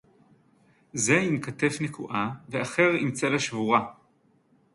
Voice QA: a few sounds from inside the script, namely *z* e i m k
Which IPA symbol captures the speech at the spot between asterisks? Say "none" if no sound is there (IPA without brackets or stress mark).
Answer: z